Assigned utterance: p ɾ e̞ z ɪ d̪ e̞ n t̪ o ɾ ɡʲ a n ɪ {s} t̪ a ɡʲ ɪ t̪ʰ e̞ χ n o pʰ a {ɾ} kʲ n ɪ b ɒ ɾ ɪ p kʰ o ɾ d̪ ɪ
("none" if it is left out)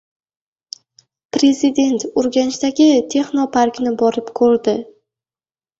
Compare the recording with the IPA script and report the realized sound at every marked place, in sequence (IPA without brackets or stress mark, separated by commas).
ʃ, ɾ